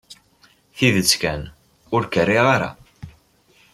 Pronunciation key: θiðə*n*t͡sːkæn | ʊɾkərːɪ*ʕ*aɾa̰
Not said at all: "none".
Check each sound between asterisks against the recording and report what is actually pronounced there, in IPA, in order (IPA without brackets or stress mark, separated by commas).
none, ʁ